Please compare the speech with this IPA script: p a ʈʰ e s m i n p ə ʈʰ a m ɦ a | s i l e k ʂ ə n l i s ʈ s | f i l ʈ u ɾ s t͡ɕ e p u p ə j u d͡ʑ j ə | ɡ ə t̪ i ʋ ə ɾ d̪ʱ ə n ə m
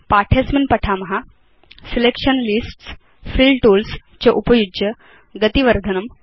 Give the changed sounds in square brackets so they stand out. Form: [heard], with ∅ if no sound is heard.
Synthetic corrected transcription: p a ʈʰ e s m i n p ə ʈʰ a m ɦ a | s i l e k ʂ ə n l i s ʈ s | f i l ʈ u [l] s t͡ɕ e [ʔ] u p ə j u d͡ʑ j ə | ɡ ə t̪ i ʋ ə ɾ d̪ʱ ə n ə m

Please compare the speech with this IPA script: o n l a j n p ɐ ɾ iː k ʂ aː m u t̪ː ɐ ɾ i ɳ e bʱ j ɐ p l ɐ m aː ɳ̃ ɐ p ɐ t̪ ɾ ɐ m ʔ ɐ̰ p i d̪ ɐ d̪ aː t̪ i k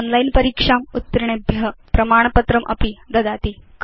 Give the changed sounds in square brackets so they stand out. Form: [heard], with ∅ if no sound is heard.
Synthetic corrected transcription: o n l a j n p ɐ ɾ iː k ʂ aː m u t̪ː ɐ ɾ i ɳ e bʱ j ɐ p [ɾ] ɐ m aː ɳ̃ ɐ p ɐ t̪ ɾ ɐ m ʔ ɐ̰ p i d̪ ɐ d̪ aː t̪ i k

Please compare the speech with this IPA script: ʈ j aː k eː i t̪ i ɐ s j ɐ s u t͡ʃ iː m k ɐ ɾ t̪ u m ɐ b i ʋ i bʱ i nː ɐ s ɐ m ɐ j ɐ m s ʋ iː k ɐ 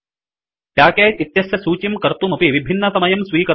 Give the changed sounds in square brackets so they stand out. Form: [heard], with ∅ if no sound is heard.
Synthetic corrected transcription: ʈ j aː k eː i t̪ [j] ɐ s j ɐ s [uː] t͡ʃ [i] m k ɐ ɾ t̪ u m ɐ [p] i ʋ i bʱ i nː ɐ s ɐ m ɐ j ɐ m s ʋ iː k ɐ

